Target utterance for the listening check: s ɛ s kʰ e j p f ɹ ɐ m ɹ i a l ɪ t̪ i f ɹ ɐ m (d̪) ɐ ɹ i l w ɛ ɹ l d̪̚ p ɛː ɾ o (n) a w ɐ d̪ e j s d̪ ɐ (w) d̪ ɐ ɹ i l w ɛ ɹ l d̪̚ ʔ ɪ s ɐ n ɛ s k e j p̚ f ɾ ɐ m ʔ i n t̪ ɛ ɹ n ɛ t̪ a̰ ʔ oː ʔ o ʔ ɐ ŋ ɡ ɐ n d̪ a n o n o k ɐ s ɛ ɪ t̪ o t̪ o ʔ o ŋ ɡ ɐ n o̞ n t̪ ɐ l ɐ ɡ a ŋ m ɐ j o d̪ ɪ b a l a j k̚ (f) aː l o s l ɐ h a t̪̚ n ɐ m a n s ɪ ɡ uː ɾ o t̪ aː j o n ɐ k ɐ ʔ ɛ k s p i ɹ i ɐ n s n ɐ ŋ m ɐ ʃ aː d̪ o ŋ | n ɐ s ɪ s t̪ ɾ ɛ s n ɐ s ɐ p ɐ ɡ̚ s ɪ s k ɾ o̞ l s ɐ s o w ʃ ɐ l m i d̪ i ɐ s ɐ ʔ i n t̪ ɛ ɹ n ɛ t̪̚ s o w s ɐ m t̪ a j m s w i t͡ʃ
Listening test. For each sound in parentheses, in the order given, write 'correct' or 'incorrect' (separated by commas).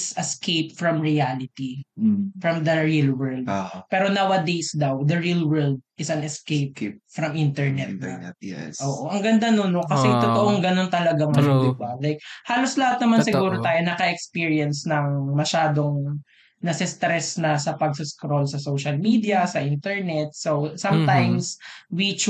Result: correct, correct, correct, incorrect